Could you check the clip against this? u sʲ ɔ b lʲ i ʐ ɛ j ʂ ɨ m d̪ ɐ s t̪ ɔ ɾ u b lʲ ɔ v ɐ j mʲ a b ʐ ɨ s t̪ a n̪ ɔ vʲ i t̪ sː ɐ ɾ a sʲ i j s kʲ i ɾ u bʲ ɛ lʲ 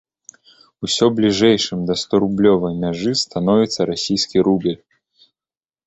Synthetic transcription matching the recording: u sʲ ɔ b lʲ i ʐ ɛ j ʂ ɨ m d̪ ɐ s t̪ ɔ ɾ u b lʲ ɔ v ɐ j mʲ a ʐ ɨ s t̪ a n̪ ɔ vʲ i t̪ sː ɐ ɾ a sʲ i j s kʲ i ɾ u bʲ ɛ lʲ